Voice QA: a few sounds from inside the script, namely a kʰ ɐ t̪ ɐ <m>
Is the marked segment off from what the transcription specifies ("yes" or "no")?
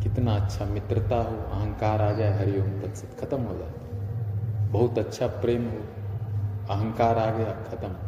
no